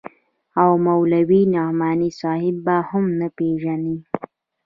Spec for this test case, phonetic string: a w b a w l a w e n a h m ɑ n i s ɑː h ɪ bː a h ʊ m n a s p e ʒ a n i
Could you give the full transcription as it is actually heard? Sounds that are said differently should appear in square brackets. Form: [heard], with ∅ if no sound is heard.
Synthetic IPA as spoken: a w [m] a w l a w [i] n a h m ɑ n i s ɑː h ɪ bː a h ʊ m n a [∅] p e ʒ a n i

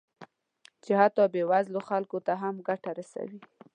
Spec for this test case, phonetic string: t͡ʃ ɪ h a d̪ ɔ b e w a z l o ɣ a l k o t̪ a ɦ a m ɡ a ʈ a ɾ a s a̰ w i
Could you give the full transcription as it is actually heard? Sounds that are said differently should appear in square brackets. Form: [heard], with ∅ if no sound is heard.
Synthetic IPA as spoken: t͡ʃ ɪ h a [t̪] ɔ b e w a z l o [x] a l k o t̪ a ɦ a m ɡ a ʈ a ɾ a s a̰ w i

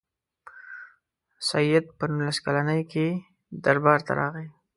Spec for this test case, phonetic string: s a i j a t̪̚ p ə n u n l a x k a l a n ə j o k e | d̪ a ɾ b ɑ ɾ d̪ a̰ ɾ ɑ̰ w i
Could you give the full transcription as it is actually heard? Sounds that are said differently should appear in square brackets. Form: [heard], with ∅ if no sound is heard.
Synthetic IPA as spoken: s a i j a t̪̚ p ə n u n l a [s] k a l a n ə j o k e | d̪ a ɾ b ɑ ɾ [t̪] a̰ ɾ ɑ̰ [ɣ] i

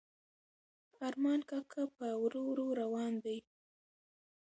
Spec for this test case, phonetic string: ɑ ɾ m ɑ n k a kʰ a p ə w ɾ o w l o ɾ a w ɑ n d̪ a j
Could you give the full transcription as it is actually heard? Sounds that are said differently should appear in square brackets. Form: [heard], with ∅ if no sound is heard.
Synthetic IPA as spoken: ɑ ɾ m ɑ n k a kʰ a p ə w ɾ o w [ɾ] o ɾ a w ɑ n d̪ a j

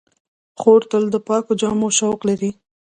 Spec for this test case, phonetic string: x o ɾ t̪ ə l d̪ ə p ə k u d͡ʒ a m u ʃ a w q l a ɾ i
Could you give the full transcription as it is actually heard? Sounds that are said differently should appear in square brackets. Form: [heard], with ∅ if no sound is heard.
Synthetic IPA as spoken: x o ɾ t̪ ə l d̪ ə p [ɑ] k [o] d͡ʒ [ɑ] m [o] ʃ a w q l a ɾ i

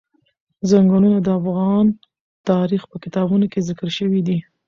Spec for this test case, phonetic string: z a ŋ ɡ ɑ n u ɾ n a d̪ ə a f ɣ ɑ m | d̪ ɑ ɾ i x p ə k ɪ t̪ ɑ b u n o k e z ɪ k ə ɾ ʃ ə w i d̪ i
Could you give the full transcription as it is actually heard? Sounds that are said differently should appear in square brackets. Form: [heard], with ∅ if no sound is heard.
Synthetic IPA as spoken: z a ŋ ɡ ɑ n u [∅] n a d̪ ə a f ɣ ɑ [n] | [t̪] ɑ ɾ i x p ə k ɪ t̪ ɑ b u n o k e z ɪ k ə ɾ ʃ ə w i d̪ i

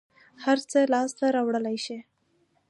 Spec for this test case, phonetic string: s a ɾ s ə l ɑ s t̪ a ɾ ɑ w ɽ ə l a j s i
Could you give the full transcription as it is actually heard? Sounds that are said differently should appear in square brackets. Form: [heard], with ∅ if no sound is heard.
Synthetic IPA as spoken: [h] a ɾ [t͡s] ə l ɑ s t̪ a ɾ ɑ w ɽ ə l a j [ʃ] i

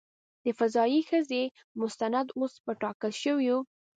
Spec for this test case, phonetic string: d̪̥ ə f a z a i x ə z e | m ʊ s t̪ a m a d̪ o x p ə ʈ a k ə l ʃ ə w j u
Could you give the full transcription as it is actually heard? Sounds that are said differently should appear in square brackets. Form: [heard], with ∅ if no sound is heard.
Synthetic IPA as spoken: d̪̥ ə f a z [ɑ] i x ə z e | m ʊ s t̪ a [n] a d̪ o [s] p ə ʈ [ɑ] k ə l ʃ ə w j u

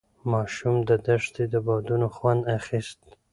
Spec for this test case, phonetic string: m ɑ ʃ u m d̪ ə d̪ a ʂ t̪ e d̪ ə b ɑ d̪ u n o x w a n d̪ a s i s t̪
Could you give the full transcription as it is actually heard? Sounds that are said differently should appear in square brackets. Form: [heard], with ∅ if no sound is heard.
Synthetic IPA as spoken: m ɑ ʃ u m d̪ ə d̪ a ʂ t̪ e d̪ ə b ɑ d̪ u n o x w a n d̪ a [x] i s t̪

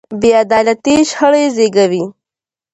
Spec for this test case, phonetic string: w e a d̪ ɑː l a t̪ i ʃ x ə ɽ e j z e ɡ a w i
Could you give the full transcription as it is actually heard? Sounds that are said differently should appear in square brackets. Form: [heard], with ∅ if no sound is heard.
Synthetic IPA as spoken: [b] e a d̪ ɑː l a t̪ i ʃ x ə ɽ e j z e ɡ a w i

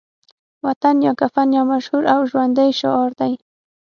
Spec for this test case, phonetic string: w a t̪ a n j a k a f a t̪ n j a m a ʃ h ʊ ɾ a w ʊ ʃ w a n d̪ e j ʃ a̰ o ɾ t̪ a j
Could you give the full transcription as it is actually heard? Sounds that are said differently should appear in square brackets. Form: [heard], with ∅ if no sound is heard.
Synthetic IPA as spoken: w a t̪ a n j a k a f a [∅] n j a m a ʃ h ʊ ɾ a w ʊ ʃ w a n d̪ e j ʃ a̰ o ɾ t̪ a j

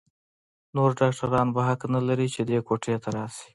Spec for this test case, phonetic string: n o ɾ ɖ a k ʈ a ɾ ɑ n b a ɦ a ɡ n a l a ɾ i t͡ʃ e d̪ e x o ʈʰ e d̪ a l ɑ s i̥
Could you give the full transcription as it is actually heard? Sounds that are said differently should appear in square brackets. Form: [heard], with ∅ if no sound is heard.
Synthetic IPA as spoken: n o ɾ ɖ [ɑ] k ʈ a ɾ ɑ n b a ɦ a [k] n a l a ɾ i t͡ʃ e d̪ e [k] o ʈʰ e [t̪] a [ɾ] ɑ s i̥

